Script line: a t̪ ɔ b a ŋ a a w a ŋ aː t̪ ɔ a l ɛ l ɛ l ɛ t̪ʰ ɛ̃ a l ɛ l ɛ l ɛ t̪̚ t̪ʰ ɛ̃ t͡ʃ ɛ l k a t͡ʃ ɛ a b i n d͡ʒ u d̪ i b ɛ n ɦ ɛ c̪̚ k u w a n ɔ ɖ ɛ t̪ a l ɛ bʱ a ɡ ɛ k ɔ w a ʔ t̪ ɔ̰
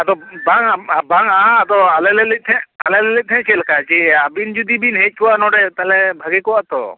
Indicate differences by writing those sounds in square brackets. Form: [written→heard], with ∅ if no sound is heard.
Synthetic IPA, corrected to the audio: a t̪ ɔ b a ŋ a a [w→b] a ŋ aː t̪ ɔ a l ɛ l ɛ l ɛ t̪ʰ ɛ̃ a l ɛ l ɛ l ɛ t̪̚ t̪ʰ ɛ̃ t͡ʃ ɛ l k a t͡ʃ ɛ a b i n d͡ʒ u d̪ i b [ɛ→i] n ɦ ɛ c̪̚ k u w a n ɔ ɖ ɛ t̪ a l ɛ bʱ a ɡ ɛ k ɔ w a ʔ t̪ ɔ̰